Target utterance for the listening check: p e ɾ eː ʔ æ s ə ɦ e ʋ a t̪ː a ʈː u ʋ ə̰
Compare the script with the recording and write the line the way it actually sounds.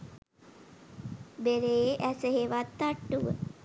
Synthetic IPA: b e ɾ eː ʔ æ s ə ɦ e ʋ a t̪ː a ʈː u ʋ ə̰